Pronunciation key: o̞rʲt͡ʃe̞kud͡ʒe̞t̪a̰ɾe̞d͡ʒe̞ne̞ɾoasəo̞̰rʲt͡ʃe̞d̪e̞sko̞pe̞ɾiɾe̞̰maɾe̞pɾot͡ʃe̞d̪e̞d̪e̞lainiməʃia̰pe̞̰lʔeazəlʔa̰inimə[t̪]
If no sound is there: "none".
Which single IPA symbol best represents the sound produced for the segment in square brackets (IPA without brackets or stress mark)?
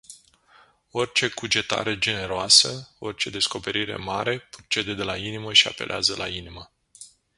none